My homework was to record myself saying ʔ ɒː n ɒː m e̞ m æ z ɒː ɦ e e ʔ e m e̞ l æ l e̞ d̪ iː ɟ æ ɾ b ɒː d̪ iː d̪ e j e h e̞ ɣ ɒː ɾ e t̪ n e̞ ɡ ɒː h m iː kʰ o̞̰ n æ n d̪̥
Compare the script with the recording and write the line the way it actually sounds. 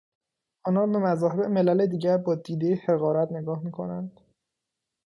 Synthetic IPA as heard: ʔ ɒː n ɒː b e̞ m æ z ɒː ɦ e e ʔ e m e̞ l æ l e̞ d̪ iː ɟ æ ɾ b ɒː d̪ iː d̪ e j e h e̞ ɣ ɒː ɾ æ t̪ n e̞ ɡ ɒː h m iː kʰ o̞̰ n æ n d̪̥